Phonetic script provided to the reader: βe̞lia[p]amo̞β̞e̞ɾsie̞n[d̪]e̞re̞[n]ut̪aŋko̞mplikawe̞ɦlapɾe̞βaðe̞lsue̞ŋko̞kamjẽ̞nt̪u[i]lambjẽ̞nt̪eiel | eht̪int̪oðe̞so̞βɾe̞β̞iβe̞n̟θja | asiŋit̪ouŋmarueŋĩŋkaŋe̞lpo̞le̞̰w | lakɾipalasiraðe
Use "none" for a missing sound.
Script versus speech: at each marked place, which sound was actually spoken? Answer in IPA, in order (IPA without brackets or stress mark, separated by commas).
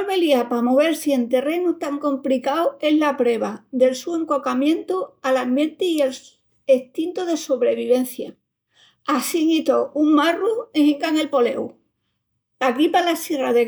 p, t̪, n, a